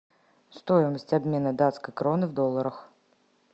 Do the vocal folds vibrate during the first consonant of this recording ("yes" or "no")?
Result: no